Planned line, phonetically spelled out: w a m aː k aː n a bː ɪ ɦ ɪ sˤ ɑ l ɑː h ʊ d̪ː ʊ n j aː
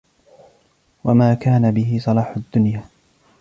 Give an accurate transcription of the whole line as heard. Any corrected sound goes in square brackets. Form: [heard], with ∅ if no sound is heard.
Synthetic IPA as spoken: w a m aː k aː n a [b] ɪ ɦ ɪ sˤ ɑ l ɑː [ħ] ʊ d̪ː ʊ n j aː